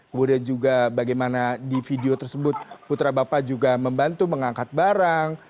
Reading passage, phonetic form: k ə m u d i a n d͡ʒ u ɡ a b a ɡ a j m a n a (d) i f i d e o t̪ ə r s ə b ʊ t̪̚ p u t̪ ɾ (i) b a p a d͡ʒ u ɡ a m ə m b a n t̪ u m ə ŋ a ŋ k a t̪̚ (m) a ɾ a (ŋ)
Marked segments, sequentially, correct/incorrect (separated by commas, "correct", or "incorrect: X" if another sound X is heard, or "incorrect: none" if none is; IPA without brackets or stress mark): correct, incorrect: a, incorrect: b, correct